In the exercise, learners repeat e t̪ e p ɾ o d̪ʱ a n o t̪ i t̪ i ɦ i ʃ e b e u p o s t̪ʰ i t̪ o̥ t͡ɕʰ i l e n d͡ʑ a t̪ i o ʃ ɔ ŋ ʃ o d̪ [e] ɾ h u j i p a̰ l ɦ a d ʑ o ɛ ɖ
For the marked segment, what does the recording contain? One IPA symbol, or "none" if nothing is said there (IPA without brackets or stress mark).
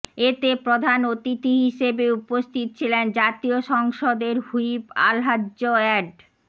e